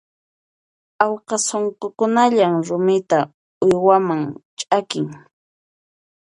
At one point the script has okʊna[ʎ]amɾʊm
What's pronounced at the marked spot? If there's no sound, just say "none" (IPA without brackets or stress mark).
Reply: ʎ